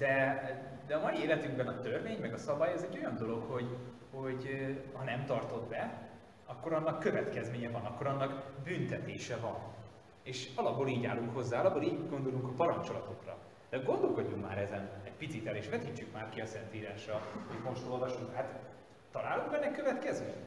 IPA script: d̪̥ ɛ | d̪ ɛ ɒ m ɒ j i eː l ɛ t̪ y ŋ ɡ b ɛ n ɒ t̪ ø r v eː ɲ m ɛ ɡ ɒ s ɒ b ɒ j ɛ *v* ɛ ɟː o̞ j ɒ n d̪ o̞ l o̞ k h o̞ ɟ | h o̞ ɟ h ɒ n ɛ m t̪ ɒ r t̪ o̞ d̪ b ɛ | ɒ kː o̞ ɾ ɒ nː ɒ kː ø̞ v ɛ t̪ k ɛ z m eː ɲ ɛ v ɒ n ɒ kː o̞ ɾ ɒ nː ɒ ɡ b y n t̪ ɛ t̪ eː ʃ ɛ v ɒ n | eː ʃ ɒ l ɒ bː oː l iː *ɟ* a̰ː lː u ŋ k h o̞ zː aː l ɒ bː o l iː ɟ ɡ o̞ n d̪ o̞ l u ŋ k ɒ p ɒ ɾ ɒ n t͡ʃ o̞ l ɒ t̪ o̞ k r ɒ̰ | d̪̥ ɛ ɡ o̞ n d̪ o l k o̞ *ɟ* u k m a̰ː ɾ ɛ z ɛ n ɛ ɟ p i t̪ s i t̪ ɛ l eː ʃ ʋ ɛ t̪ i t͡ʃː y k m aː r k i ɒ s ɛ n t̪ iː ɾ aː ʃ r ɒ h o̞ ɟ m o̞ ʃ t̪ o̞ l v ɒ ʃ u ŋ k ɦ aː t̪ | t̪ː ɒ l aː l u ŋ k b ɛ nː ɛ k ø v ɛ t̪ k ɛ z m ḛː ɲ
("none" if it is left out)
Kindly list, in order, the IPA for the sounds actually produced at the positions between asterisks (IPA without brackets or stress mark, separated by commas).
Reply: z, ɟ, ɟː